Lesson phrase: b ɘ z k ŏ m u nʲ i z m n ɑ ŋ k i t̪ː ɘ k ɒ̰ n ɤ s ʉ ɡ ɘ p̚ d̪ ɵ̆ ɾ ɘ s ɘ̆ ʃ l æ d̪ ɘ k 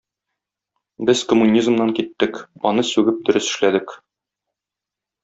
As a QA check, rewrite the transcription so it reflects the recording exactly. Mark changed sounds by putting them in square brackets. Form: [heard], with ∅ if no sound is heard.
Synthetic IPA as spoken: b ɘ z k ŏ m u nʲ i z m n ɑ ŋ k i t̪ː ɘ k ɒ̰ n ɤ s ʉ ɡ ɘ p̚ d̪ ɵ̆ ɾ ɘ s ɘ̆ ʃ l æ d̪ ɘ k